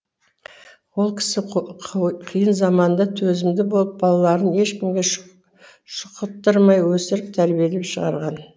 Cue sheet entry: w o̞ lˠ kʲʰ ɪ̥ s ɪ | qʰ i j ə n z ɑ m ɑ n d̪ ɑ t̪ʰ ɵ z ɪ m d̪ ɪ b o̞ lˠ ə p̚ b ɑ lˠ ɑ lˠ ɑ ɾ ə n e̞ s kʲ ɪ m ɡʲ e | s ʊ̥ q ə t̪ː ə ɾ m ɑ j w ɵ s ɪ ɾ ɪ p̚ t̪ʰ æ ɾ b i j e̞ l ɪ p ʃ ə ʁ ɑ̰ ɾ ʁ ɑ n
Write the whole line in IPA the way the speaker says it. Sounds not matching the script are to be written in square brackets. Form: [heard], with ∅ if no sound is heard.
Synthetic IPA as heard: w o̞ lˠ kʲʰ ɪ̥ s ɪ | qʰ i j ə n z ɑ m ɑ n d̪ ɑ t̪ʰ ɵ z ɪ m d̪ ɪ b o̞ lˠ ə p̚ b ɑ lˠ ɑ lˠ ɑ ɾ ə n e̞ [ʃ] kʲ ɪ m ɡʲ e | [ʃ] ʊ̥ q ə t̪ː ə ɾ m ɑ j w ɵ s ɪ ɾ ɪ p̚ t̪ʰ æ ɾ b i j e̞ l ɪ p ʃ ə ʁ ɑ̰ ɾ ʁ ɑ n